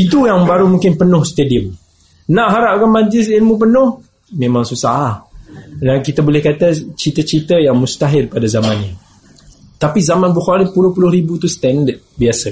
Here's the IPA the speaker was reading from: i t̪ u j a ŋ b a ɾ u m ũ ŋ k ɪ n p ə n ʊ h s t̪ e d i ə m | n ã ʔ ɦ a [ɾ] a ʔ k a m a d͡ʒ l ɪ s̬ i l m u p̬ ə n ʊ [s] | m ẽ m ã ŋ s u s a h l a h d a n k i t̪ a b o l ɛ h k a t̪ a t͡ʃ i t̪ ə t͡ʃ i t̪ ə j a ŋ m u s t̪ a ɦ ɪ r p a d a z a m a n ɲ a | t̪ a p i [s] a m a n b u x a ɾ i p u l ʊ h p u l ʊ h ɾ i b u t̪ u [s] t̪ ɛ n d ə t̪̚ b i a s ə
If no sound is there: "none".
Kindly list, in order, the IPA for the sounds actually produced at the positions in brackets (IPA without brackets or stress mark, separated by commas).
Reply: ɾ, h, z, s